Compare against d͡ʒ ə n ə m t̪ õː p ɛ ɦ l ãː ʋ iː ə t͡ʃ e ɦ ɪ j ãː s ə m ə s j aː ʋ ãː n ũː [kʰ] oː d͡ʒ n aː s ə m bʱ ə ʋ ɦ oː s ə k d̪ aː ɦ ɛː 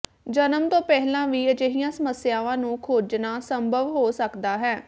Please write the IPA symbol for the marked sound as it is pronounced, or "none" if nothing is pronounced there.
kʰ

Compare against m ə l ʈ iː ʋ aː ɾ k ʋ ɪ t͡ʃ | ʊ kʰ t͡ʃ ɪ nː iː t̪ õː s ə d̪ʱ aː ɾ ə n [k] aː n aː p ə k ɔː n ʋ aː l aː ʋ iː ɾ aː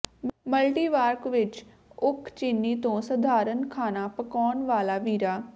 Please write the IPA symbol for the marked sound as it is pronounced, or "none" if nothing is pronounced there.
kʰ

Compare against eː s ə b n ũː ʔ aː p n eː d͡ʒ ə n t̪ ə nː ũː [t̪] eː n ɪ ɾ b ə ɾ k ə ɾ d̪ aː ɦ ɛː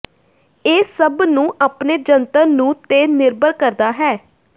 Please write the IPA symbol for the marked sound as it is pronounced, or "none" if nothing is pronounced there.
t̪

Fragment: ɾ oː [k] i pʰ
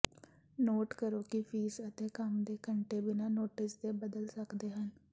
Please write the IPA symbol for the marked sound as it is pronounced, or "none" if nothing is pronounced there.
k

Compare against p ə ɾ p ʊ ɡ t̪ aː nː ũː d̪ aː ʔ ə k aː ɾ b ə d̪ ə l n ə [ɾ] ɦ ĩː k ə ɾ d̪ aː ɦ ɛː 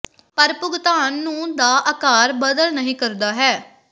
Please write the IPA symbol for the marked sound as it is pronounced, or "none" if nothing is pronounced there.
none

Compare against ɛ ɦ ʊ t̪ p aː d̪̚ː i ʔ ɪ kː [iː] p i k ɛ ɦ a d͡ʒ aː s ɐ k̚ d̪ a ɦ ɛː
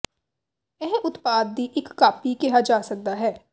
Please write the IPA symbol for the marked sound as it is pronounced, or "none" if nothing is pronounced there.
aː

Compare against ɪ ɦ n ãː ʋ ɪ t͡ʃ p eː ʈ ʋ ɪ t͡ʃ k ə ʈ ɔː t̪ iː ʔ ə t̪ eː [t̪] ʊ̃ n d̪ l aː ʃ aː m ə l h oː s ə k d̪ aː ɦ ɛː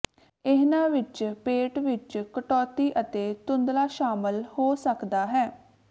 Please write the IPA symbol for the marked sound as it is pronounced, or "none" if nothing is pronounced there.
t̪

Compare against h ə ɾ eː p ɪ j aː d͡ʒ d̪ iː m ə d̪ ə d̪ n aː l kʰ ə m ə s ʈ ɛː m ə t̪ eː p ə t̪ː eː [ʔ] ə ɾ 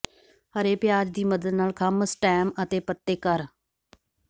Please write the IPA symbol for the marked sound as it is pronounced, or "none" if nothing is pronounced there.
k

